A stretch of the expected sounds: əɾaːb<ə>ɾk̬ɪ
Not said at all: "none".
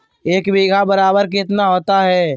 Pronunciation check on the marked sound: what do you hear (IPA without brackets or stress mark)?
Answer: ə